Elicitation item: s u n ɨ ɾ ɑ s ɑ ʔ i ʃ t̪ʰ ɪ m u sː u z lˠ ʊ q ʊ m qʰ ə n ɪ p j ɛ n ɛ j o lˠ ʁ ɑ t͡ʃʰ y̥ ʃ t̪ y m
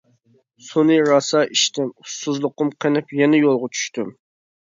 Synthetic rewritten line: s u n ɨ ɾ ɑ s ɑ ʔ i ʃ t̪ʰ ɪ m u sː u z lˠ ʊ q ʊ m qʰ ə n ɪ p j ɛ n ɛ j o lˠ ʁ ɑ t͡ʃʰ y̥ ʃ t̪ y m